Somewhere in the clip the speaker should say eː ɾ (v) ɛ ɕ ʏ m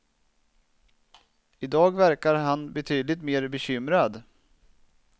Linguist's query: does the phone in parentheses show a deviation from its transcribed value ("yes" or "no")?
yes